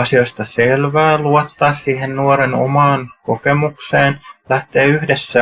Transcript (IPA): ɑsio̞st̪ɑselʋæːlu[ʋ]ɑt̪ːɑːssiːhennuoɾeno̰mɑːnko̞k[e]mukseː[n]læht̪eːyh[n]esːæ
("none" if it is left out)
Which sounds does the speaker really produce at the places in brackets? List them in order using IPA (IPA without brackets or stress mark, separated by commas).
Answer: none, e, n, d